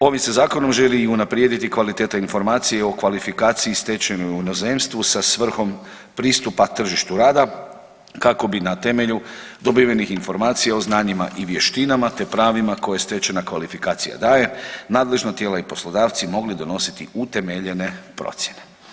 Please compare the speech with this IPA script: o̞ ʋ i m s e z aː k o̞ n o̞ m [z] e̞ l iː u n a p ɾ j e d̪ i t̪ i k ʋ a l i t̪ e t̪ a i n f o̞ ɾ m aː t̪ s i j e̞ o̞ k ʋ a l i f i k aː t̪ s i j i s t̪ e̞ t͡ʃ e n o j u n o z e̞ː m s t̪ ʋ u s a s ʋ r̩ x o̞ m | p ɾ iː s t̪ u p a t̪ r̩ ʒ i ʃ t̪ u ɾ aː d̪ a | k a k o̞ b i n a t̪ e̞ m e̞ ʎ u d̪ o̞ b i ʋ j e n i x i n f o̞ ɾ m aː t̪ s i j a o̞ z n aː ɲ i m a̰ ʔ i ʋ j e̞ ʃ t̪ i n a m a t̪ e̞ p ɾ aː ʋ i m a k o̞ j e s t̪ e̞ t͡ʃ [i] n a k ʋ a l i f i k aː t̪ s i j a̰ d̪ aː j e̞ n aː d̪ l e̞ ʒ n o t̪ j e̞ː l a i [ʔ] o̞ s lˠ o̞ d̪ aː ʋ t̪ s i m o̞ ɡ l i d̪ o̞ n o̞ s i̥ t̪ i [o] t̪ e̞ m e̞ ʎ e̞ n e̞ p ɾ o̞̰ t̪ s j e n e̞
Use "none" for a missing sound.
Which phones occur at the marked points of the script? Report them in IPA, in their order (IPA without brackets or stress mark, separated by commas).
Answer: ʒ, e, p, u